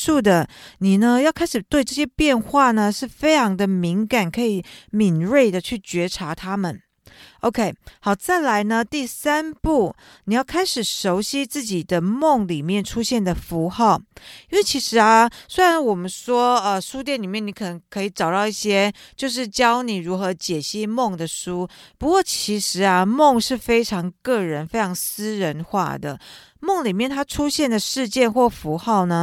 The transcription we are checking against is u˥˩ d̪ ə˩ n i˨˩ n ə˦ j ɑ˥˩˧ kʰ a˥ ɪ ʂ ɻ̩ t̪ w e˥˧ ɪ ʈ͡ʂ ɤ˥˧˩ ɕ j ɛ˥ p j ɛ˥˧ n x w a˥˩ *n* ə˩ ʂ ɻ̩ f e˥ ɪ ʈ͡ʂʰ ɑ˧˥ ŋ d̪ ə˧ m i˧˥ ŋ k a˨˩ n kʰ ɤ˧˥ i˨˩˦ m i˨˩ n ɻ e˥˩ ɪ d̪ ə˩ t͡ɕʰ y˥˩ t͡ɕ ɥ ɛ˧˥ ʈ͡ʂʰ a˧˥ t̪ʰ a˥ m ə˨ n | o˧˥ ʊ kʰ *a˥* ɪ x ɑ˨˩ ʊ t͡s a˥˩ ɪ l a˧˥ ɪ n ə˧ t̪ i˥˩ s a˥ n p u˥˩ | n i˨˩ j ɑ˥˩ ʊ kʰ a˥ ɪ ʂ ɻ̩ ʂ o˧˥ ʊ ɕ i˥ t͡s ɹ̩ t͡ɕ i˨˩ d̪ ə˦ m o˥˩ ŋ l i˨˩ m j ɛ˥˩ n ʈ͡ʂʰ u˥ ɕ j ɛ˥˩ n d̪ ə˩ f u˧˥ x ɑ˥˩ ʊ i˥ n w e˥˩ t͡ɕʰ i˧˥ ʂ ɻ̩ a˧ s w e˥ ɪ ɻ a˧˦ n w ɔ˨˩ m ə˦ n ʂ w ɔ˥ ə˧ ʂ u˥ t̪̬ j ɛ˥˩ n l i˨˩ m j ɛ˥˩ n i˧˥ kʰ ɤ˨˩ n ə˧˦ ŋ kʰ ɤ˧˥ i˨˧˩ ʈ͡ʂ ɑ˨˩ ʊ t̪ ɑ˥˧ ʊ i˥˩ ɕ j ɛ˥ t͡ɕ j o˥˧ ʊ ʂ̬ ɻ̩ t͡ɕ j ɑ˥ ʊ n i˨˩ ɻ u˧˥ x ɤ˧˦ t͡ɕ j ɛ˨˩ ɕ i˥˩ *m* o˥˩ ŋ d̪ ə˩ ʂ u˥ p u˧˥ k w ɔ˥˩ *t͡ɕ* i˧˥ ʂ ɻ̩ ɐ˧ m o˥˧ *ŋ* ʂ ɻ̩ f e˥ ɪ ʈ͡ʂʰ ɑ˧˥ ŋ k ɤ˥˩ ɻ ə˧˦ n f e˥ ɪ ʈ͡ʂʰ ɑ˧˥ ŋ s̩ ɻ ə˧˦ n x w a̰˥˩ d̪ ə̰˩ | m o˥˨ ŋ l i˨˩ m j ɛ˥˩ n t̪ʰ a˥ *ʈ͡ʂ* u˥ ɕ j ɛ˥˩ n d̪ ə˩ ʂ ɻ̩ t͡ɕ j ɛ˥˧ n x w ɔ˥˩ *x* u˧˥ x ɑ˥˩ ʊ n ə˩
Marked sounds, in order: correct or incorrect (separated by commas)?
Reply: correct, incorrect, correct, incorrect, correct, incorrect, incorrect